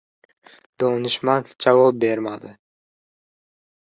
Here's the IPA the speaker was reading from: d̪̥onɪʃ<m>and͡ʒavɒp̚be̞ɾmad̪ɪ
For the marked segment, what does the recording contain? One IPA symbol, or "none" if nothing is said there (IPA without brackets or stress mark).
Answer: m